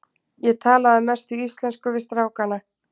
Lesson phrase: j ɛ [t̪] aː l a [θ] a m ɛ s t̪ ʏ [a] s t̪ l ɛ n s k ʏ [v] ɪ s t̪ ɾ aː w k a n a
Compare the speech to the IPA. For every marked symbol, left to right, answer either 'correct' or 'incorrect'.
incorrect: t̪ʰ, incorrect: ð, incorrect: i, correct

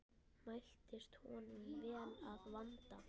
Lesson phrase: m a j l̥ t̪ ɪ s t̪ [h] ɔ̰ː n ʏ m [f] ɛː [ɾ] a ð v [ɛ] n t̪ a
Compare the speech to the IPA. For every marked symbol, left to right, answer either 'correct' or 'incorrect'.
correct, incorrect: v, incorrect: l, incorrect: a

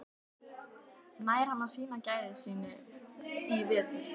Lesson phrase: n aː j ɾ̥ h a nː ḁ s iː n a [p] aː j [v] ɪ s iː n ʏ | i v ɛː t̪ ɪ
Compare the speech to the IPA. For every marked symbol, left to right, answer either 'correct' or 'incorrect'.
incorrect: c, incorrect: ð

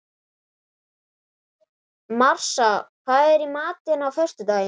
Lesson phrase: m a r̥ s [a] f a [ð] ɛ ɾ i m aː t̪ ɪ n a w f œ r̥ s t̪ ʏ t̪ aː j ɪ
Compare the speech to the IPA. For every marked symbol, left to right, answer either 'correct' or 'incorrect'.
correct, correct

